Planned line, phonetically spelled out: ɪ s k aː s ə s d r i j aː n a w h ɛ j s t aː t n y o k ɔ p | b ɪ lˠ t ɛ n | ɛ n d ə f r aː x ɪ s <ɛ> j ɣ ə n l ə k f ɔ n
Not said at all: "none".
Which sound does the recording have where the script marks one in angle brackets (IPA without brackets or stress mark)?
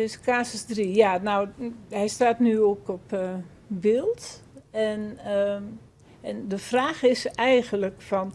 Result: ɛ